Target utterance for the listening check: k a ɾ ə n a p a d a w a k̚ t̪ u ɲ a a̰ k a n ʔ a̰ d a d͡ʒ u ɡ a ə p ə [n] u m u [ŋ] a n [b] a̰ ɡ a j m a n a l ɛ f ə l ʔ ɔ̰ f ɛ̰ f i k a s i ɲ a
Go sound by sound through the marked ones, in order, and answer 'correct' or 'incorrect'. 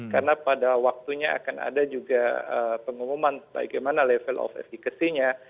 incorrect, incorrect, correct

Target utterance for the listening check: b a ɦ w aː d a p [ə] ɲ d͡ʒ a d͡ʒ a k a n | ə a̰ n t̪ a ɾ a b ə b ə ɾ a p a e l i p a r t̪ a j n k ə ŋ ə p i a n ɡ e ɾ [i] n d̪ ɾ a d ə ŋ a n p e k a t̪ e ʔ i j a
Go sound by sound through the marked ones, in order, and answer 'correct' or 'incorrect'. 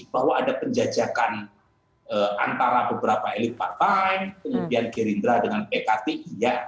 correct, correct

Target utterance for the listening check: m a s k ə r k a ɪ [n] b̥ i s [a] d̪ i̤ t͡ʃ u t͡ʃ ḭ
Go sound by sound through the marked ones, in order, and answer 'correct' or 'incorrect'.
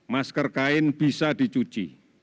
correct, correct

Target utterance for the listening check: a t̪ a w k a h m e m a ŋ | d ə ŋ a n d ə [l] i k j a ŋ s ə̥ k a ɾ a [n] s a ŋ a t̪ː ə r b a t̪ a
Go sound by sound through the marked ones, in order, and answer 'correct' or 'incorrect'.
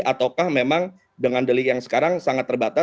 correct, incorrect

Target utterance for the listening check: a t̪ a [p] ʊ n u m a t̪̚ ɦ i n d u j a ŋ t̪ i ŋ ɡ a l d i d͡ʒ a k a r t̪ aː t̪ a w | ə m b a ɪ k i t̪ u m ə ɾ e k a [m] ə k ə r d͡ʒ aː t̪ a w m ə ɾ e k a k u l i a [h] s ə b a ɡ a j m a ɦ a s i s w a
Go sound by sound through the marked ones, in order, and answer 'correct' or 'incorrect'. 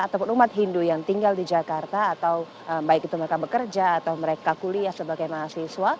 correct, incorrect, correct

